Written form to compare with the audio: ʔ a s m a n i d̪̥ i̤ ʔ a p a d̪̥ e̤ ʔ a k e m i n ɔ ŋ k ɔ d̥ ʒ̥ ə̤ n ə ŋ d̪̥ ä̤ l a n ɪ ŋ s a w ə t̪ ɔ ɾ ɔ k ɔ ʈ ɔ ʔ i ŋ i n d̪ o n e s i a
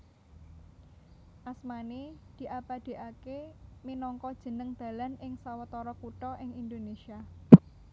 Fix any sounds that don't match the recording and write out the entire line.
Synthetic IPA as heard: ʔ a s m a n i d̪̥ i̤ ʔ a p a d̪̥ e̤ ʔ a k e m i n ɔ ŋ k ɔ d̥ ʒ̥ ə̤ n ə ŋ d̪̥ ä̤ l a n ɪ ŋ s a w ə t̪ ɔ ɾ ɔ k u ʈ ɔ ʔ ɪ ŋ i n d̪ o n e s i a